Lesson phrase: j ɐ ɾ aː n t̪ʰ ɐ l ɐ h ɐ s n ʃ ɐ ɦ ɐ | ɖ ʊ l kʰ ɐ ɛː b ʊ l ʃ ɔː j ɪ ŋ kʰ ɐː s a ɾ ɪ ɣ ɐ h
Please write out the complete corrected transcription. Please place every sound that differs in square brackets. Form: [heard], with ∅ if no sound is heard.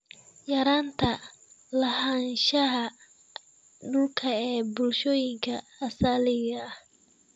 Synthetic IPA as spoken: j ɐ ɾ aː n t̪ʰ ɐ l ɐ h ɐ [∅] n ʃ ɐ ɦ ɐ | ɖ ʊ l kʰ ɐ ɛː b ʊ l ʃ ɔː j ɪ ŋ kʰ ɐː s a [l] ɪ ɣ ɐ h